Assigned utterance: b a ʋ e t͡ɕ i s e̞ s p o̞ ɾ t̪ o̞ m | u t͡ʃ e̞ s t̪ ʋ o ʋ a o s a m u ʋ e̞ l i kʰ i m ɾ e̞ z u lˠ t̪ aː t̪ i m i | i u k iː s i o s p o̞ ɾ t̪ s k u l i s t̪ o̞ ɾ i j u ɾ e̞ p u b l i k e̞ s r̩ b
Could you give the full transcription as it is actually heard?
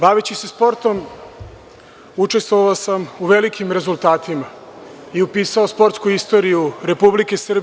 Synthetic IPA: b a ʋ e t͡ɕ i s e̞ s p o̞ ɾ t̪ o̞ m | u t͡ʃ e̞ s t̪ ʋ o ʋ a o s a m u ʋ e̞ l i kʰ i m ɾ e̞ z u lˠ t̪ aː t̪ i m a | i u p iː s a o s p o̞ ɾ t̪ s k u i s t̪ o̞ ɾ i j u ɾ e̞ p u b l i k e̞ s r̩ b